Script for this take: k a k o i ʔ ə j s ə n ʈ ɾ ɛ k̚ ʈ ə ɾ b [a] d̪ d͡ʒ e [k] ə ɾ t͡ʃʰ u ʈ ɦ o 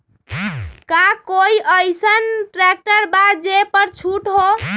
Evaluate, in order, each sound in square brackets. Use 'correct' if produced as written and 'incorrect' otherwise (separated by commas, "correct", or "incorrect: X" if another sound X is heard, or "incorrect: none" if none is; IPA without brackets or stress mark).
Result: correct, incorrect: p